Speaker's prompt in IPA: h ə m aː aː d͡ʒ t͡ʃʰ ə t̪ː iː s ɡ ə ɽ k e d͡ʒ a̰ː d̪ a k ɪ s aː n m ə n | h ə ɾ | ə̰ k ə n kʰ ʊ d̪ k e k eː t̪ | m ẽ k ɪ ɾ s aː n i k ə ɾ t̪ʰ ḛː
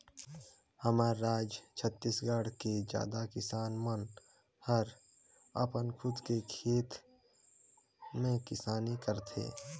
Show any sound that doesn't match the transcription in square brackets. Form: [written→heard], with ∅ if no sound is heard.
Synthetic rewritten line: h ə m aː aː d͡ʒ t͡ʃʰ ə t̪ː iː s ɡ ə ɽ k e d͡ʒ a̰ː d̪ a k ɪ s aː n m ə n | h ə ɾ | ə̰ [k→p] ə n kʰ ʊ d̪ k e [k→kʰ] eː t̪ | m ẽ k ɪ [ɾ→∅] s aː n i k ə ɾ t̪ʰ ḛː